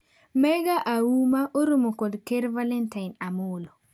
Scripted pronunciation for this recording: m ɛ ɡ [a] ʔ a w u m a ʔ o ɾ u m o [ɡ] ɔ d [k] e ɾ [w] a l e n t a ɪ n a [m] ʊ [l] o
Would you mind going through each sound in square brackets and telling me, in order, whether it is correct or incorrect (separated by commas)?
correct, incorrect, correct, incorrect, correct, correct